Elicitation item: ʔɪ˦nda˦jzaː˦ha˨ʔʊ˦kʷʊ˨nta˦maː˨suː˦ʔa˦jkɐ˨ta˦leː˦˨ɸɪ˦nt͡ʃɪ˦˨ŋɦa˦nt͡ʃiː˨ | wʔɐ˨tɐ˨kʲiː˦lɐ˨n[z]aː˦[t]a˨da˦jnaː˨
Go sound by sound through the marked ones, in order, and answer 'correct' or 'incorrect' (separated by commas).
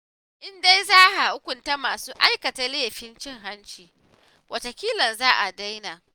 correct, incorrect